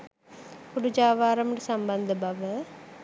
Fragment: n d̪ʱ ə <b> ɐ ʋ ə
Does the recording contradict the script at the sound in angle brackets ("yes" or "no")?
no